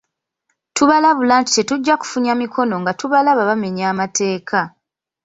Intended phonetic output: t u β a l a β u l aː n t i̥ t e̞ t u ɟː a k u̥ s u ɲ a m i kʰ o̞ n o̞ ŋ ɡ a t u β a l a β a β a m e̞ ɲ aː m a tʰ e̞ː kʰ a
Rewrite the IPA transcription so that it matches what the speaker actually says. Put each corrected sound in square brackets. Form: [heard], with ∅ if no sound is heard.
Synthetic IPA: t u β a l a β u l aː n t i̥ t e̞ t u ɟː a k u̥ [f] u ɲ a m i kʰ o̞ n o̞ ŋ ɡ a t u β a l a β a β a m e̞ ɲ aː m a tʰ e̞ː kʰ a